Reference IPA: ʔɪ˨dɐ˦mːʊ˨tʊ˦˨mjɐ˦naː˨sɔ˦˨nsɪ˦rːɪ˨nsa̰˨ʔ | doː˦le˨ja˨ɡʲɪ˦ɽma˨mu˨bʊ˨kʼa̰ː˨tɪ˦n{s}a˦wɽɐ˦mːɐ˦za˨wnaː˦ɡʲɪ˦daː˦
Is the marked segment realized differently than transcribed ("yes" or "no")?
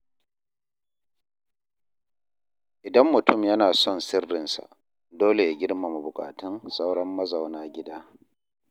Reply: no